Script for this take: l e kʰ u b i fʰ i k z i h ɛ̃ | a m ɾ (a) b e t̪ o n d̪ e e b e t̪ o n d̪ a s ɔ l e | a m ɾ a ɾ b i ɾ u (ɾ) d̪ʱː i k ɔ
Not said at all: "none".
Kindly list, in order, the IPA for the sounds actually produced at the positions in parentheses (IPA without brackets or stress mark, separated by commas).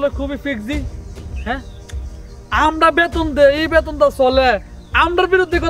a, none